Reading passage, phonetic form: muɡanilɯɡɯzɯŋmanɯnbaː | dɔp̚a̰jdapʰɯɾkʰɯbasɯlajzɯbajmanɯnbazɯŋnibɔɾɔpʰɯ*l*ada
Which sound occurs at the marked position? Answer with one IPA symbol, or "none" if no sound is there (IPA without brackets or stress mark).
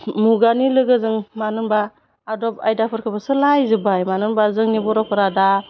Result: ɾ